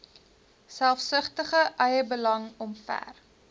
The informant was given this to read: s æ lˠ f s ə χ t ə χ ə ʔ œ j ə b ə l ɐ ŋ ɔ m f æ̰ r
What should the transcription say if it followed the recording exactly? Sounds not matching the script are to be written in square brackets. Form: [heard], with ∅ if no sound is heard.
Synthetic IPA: s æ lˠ f s ə χ t ə χ ə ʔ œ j ə b ə l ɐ ŋ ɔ m f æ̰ r